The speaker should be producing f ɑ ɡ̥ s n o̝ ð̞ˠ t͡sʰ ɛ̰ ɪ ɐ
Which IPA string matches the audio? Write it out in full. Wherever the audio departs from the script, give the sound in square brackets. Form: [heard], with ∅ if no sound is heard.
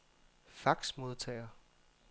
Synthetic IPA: f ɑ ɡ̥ s [m] o̝ ð̞ˠ t͡sʰ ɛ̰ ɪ ɐ